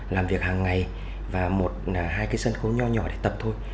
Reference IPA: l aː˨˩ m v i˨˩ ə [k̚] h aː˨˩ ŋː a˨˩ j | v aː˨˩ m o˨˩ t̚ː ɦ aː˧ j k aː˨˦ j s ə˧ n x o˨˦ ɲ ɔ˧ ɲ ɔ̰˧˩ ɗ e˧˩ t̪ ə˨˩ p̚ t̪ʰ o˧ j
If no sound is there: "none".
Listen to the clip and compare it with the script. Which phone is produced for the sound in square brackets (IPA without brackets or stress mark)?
k̚